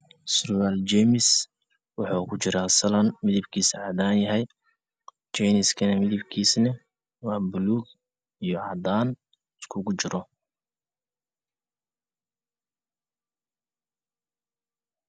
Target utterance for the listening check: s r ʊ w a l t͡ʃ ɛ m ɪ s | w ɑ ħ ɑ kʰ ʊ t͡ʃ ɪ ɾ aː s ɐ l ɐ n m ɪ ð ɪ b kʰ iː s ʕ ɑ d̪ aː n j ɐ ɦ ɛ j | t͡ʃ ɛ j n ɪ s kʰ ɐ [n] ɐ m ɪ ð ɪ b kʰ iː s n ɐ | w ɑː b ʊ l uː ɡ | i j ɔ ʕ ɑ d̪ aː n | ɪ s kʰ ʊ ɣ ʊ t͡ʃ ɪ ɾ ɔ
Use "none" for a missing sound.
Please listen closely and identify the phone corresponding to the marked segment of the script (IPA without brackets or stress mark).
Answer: n